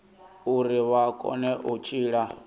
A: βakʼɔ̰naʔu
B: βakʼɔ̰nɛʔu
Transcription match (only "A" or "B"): B